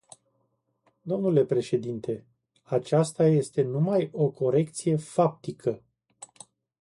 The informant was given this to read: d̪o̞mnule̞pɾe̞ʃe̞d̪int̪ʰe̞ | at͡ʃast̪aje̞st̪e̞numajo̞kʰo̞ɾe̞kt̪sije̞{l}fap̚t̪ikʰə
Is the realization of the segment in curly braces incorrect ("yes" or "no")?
yes